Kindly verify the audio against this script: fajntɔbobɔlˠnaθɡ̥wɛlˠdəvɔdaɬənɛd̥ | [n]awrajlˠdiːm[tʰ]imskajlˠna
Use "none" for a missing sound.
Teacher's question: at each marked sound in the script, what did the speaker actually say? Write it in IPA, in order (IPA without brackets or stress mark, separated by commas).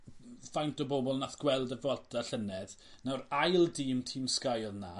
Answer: n, tʰ